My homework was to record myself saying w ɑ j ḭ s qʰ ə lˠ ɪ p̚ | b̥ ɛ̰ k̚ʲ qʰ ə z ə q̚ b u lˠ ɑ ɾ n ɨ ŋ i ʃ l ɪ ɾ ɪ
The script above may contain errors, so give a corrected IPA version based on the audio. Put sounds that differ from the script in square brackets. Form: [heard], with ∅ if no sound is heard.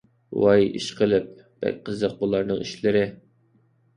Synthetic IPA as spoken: w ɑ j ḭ [ʃ] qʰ ə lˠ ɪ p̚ | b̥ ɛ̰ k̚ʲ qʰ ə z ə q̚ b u lˠ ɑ ɾ n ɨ ŋ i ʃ l ɪ ɾ ɪ

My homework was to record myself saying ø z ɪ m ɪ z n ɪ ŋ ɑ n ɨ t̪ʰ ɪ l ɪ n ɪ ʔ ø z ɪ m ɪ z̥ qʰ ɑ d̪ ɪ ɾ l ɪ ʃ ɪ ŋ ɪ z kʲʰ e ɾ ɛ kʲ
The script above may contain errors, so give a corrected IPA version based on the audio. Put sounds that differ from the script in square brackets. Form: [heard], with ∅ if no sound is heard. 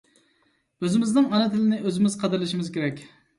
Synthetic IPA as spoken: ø z ɪ m ɪ z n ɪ ŋ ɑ n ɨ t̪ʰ ɪ l ɪ n ɪ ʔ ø z ɪ m ɪ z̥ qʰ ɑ d̪ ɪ ɾ l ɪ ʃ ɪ [m] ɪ z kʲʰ e ɾ ɛ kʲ

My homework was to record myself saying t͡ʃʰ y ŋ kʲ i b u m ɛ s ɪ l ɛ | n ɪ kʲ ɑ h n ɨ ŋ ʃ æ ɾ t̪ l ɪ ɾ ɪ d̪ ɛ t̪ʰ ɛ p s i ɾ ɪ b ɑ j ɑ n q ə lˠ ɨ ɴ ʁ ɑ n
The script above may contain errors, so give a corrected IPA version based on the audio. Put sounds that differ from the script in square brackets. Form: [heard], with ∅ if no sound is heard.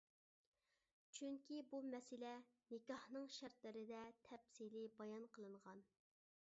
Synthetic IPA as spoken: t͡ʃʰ y ŋ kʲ i b u m ɛ s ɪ l ɛ | n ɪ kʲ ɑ h n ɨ ŋ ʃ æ ɾ t̪ l ɪ ɾ ɪ d̪ ɛ t̪ʰ ɛ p s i [l] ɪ b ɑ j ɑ n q ə lˠ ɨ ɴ ʁ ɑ n

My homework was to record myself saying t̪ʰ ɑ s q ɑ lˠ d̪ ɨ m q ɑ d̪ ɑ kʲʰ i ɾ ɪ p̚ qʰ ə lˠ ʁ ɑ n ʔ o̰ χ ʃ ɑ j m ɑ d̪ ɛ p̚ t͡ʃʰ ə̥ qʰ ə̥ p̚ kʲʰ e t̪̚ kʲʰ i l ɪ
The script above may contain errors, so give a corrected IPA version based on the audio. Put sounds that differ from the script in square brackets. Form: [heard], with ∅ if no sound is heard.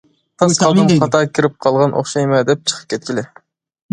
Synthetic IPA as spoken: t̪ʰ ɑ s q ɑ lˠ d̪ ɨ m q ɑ [t̪] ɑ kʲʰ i ɾ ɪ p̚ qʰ [ɑ] lˠ ʁ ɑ n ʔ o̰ χ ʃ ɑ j m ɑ d̪ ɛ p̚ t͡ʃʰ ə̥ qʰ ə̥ p̚ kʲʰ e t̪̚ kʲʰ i l ɪ

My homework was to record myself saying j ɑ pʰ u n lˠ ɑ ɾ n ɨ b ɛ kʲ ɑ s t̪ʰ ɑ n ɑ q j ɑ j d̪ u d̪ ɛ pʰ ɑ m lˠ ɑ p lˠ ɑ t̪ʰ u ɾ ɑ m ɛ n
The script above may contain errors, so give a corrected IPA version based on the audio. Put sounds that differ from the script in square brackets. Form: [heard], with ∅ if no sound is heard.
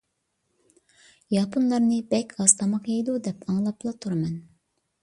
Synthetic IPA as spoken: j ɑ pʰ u n lˠ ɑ ɾ n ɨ b ɛ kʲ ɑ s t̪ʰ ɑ [m] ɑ q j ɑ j d̪ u d̪ ɛ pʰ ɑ [ŋ] lˠ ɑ p lˠ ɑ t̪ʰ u ɾ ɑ m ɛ n

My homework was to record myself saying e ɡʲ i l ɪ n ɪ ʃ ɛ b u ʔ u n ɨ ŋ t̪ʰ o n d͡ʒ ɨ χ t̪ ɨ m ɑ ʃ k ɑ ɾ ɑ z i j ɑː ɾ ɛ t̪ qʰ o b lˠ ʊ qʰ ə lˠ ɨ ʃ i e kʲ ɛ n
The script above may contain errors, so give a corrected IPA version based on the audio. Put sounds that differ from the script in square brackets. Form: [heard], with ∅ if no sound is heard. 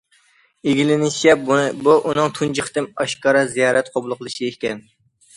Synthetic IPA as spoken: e ɡʲ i l ɪ n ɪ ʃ ɛ b u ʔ u n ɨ ŋ t̪ʰ [u] n d͡ʒ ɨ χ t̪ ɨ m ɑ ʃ k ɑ ɾ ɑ z i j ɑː ɾ ɛ t̪ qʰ o b lˠ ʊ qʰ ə lˠ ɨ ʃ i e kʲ ɛ n

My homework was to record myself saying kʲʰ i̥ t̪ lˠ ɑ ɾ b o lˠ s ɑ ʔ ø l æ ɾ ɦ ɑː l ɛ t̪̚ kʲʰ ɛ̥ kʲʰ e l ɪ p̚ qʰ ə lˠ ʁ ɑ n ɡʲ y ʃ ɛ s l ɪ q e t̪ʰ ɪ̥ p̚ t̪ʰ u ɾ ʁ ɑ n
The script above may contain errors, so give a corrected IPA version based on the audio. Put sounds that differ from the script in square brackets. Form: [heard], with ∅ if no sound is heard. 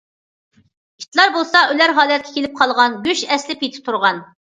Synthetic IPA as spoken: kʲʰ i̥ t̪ lˠ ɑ ɾ b o lˠ s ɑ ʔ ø l æ ɾ ɦ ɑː l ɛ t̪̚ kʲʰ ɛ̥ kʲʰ e l ɪ p̚ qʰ [ɑ] lˠ ʁ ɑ n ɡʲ y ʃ ɛ s l ɪ [p] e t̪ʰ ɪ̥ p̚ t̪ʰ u ɾ ʁ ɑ n

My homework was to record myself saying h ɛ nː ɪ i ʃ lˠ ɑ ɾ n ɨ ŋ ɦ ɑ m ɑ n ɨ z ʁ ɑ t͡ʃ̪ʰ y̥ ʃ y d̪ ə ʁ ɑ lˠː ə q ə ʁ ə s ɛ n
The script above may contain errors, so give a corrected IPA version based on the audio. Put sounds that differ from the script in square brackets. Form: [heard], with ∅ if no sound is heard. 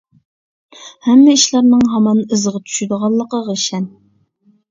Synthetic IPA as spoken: h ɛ [mː] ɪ i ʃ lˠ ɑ ɾ n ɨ ŋ ɦ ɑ m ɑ n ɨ z ʁ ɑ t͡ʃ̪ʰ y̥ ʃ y d̪ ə ʁ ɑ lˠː ə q ə ʁ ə [ʃ] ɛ n

